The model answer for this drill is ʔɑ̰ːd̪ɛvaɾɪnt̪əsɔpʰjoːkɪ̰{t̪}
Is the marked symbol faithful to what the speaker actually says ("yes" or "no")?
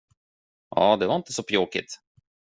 yes